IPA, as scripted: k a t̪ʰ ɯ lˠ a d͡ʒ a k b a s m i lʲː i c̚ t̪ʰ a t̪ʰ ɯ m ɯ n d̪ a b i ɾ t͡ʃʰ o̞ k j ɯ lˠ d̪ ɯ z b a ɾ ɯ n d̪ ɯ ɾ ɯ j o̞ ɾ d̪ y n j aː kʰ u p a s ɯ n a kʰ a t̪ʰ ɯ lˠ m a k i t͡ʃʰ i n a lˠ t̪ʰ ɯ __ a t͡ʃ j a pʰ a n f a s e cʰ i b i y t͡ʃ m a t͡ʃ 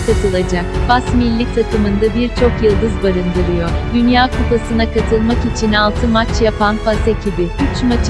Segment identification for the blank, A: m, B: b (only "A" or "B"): A